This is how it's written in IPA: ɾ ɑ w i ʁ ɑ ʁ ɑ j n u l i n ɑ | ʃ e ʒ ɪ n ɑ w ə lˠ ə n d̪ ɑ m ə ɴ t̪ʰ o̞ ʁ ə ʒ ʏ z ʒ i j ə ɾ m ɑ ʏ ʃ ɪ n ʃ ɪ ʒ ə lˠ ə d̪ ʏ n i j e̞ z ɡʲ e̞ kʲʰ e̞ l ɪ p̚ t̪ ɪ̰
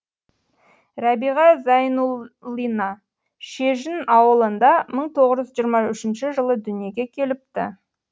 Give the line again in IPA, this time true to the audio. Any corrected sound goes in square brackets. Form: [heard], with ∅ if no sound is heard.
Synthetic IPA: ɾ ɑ [b] i ʁ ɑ [z] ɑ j n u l i n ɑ | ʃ e ʒ ɪ n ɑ w ə lˠ ə n d̪ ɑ m ə ɴ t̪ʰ o̞ ʁ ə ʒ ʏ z ʒ i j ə ɾ m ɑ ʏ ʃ ɪ n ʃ ɪ ʒ ə lˠ ə d̪ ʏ n i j e̞ [∅] ɡʲ e̞ kʲʰ e̞ l ɪ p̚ t̪ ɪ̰